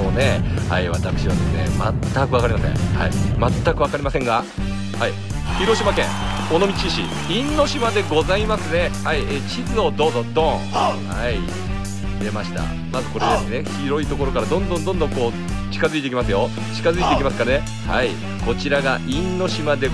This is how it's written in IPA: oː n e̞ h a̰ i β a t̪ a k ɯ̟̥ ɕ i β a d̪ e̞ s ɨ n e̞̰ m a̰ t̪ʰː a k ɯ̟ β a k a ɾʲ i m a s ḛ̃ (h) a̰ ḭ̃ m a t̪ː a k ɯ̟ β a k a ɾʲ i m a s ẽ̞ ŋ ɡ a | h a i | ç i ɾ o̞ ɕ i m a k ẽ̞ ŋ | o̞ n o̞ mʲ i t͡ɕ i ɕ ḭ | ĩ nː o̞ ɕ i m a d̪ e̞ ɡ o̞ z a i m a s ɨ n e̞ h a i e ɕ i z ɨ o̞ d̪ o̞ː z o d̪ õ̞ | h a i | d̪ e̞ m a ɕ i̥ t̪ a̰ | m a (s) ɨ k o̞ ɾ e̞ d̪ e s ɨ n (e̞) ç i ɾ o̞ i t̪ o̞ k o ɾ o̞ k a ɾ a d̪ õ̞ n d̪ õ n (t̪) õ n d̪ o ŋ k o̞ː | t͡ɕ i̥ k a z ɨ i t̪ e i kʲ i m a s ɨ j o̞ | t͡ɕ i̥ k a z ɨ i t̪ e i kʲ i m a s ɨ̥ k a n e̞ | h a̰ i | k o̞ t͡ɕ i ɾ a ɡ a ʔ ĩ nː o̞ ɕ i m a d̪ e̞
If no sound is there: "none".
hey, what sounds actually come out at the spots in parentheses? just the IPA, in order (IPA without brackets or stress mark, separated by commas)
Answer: h, z, e̞, d̪